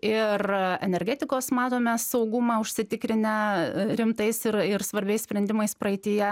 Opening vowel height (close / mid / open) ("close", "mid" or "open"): close